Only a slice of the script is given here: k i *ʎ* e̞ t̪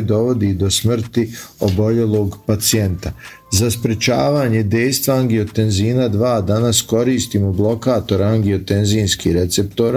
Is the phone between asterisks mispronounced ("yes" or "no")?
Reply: yes